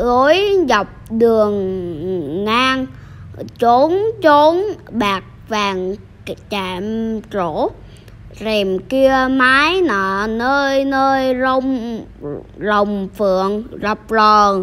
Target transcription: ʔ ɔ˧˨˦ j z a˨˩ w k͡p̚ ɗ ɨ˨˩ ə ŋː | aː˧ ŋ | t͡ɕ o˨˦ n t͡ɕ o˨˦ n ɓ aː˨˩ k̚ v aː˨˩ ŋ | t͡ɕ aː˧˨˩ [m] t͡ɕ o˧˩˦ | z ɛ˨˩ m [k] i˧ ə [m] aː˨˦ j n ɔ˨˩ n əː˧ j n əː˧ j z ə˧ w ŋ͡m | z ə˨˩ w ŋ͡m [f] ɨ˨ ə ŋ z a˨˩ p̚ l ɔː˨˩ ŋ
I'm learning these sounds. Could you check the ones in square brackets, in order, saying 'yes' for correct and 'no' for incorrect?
yes, yes, yes, yes

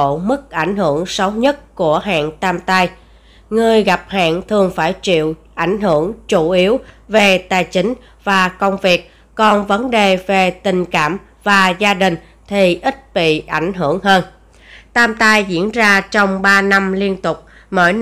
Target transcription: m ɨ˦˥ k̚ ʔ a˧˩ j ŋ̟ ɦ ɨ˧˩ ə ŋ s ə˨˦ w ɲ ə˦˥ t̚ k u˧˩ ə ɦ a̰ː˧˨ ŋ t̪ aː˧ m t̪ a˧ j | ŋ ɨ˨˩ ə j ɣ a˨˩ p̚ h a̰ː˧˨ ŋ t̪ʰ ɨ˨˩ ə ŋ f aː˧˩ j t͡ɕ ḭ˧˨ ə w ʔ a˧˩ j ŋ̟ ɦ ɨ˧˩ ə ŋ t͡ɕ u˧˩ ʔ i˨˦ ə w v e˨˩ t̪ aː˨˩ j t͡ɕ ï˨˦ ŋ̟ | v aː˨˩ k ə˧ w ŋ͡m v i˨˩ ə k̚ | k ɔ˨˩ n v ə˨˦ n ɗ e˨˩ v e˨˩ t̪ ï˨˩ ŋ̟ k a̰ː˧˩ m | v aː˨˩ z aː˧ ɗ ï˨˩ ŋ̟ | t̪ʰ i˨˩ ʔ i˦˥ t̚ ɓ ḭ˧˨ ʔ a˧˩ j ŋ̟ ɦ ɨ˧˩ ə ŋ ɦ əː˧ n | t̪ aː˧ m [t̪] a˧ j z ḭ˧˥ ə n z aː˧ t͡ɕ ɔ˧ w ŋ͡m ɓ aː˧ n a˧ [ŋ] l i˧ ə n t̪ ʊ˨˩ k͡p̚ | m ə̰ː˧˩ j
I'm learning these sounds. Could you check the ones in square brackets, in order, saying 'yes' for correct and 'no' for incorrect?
yes, no

